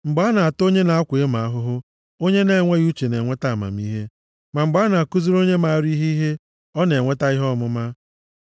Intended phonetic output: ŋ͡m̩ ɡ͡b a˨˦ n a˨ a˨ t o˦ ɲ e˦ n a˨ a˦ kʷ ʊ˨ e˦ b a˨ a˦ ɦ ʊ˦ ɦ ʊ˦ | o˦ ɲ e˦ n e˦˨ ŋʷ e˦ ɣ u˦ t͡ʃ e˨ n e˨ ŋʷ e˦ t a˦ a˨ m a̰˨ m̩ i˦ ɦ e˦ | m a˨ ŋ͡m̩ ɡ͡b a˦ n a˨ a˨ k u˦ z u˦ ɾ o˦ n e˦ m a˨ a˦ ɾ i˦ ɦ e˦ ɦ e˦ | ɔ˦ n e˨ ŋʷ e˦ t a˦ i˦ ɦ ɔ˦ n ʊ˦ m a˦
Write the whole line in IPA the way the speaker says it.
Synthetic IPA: ŋ͡m̩ ɡ͡b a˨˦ n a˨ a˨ t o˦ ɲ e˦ n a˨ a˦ kʷ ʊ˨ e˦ m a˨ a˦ ɦ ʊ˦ ɦ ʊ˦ | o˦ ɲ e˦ n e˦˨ ŋʷ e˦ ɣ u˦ t͡ʃ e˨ n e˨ ŋʷ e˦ t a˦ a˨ m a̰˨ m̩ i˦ ɦ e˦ | m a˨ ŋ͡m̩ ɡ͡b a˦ n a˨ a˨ k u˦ z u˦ ɾ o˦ ɲ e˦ m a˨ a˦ ɾ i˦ ɦ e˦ ɦ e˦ | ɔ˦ n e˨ ŋʷ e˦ t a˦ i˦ ɦ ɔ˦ m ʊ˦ m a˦

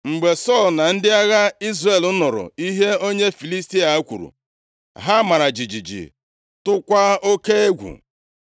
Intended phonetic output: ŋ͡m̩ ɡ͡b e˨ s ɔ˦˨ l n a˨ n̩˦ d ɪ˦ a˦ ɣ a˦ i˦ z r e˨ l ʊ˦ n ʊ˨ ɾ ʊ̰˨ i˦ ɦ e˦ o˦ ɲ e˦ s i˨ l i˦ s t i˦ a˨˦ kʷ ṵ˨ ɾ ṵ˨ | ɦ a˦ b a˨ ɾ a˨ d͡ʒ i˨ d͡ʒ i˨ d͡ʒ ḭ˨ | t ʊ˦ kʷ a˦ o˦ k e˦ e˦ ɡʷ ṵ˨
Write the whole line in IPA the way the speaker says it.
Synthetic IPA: ŋ͡m̩ ɡ͡b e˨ s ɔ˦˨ l n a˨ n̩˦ d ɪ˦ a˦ ɣ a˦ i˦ z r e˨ l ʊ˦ n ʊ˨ ɾ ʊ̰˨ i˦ ɦ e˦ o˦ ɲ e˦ f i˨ l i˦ s t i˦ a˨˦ kʷ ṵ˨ ɾ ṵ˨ | ɦ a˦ m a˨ ɾ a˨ d͡ʒ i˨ d͡ʒ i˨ d͡ʒ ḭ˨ | t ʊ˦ kʷ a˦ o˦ k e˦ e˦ ɡʷ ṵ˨

